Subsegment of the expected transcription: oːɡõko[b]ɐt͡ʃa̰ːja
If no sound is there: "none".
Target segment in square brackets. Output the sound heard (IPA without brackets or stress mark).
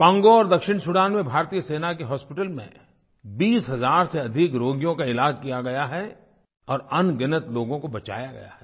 b